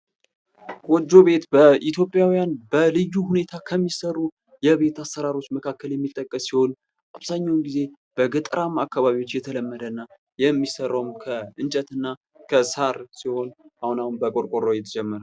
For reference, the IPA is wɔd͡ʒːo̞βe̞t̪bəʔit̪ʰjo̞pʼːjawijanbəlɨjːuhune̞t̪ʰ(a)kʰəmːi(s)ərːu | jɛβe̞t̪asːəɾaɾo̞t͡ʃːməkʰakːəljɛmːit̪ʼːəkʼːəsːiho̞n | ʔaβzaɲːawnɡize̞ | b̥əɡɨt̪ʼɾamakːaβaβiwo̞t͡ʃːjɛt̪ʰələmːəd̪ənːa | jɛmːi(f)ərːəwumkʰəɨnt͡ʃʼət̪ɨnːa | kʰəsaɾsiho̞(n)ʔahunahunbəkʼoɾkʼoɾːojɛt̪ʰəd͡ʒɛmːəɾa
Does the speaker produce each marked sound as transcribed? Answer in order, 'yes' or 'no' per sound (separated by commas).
yes, yes, no, yes